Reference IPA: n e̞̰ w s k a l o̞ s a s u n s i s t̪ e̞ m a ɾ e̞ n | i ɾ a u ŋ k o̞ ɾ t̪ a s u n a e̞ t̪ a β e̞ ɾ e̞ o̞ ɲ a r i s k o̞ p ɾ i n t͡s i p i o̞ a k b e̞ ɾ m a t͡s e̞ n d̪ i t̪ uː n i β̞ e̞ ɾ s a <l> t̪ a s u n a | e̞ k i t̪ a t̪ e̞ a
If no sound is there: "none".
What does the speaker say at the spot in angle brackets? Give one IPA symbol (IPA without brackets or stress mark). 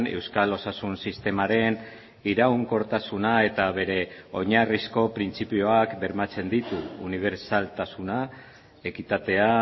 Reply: l